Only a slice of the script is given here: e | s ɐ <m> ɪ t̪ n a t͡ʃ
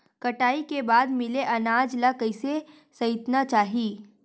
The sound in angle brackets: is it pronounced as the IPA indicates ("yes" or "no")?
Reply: no